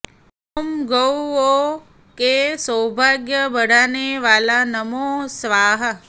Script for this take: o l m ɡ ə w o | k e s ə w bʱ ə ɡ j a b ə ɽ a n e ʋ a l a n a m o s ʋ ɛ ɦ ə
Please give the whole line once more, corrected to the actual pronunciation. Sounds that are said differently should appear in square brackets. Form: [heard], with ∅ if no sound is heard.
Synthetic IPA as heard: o [∅] m ɡ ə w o | k e s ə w bʱ [a] ɡ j [ə] b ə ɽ a n e ʋ a l a n [ə] m o s ʋ [a] ɦ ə